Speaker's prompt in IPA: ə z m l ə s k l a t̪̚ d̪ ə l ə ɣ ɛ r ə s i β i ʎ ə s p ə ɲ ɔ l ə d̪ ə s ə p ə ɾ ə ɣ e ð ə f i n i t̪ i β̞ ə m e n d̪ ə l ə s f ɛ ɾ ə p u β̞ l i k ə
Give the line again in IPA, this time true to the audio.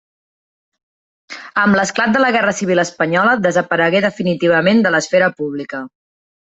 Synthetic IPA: ə m l ə s k l a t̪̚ d̪ ə l ə ɣ ɛ r ə s i β i l ə s p ə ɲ ɔ l ə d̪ ə z ə p ə ɾ ə ɣ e ð ə f i n i t̪ i β̞ ə m e n d̪ ə l ə s f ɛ ɾ ə p u β̞ l i k ə